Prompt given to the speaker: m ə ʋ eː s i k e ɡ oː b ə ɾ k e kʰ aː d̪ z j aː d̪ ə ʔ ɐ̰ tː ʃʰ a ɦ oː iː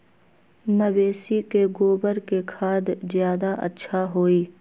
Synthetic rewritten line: m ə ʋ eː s i k e ɡ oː b ə ɾ k e kʰ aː d̪ z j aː d̪ a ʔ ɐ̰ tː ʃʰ a ɦ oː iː